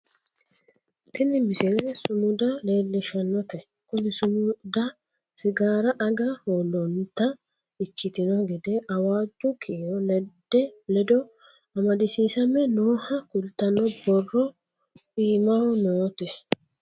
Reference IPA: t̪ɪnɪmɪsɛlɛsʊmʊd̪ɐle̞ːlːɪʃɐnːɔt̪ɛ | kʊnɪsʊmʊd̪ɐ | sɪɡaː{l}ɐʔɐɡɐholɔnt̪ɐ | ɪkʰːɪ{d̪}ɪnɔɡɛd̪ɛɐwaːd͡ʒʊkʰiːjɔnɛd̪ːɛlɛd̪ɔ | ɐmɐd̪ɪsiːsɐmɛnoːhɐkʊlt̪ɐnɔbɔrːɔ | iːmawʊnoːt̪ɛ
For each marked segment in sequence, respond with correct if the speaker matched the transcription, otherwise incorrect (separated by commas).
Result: incorrect, incorrect